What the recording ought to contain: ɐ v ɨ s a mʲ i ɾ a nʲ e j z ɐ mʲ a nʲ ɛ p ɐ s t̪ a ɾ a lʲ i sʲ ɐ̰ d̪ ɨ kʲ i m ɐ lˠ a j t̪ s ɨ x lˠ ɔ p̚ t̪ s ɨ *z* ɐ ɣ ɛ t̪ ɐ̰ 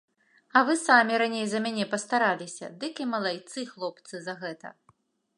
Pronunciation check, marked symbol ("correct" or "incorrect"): correct